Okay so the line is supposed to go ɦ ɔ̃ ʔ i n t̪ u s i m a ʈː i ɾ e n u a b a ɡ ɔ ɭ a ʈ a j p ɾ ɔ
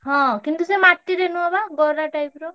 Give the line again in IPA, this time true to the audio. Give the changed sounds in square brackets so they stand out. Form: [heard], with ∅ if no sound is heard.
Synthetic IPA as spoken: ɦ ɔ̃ [k] i n t̪ u s [e] m a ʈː i ɾ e n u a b a ɡ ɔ [ɾ] a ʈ a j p ɾ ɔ